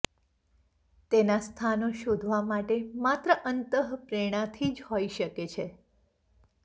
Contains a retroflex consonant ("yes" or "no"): yes